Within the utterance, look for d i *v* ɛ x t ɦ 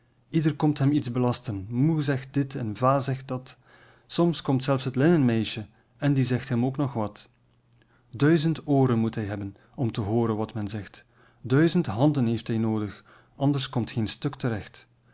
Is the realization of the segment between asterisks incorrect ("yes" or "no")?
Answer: yes